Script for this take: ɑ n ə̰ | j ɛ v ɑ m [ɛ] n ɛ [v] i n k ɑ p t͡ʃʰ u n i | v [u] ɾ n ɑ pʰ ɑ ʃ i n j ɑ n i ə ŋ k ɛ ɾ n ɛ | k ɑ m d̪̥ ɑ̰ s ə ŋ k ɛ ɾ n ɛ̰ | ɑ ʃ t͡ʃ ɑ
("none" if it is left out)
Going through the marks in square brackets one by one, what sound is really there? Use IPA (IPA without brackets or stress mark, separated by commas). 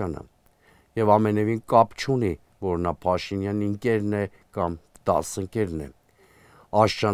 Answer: ɛ, v, ɔ